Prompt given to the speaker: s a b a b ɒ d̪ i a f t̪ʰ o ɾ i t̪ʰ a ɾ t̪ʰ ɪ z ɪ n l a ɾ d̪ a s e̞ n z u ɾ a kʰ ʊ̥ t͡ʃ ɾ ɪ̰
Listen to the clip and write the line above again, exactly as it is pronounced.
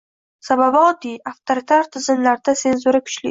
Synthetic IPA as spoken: s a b a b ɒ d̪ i a f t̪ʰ o ɾ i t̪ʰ a ɾ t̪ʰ ɪ z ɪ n l a ɾ d̪ a s e̞ n z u ɾ a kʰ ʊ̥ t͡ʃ l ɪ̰